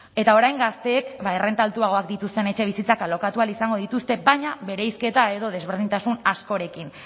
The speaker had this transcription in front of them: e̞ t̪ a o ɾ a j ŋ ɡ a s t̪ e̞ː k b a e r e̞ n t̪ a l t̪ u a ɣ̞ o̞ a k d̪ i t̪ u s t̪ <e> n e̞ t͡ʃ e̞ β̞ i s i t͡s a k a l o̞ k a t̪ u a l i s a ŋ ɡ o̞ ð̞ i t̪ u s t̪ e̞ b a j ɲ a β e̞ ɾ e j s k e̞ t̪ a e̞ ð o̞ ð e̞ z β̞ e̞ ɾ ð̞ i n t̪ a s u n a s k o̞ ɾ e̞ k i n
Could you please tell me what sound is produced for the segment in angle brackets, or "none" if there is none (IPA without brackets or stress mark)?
e